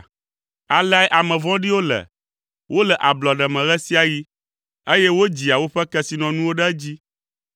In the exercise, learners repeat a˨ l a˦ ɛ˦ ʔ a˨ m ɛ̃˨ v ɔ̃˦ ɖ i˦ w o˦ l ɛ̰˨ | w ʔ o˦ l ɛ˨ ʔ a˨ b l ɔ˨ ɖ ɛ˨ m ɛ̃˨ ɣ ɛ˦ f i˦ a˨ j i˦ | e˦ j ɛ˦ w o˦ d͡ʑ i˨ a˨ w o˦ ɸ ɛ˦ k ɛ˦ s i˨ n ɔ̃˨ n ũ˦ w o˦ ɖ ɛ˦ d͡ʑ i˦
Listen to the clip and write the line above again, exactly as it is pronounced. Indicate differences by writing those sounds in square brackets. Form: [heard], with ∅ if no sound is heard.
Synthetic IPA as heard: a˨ l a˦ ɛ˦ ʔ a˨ m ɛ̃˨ v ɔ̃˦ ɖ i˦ w o˦ l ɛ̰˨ | w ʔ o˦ l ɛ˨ ʔ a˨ b l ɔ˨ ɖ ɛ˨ m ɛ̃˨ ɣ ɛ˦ [s] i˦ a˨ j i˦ | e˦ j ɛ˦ w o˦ d͡ʑ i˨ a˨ w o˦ ɸ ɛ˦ k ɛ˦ s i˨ n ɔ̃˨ n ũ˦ w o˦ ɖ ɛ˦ d͡ʑ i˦